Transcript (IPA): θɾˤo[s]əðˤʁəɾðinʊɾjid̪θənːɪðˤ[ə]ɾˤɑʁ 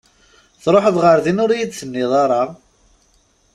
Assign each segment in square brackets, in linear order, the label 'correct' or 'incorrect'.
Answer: incorrect: ħ, incorrect: ɑ

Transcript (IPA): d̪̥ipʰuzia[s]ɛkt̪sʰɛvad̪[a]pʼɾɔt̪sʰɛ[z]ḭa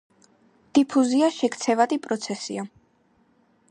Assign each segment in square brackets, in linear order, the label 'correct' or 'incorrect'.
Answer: incorrect: ʃ, incorrect: i, incorrect: s

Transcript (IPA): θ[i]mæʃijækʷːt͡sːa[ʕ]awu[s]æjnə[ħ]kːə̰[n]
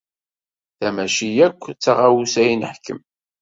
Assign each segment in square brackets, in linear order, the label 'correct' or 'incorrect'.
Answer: incorrect: æ, incorrect: ʁ, correct, correct, incorrect: m

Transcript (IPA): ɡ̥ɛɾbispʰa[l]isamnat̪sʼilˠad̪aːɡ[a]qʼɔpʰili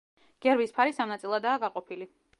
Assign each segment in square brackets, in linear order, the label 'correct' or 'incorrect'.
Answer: incorrect: ɾ, correct

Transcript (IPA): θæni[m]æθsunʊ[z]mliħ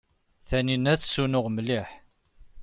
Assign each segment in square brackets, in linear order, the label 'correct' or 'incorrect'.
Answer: incorrect: n, incorrect: ʁ

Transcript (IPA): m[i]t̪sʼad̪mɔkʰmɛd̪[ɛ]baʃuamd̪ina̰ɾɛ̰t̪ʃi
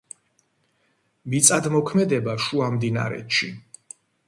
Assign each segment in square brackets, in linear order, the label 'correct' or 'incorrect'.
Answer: correct, correct

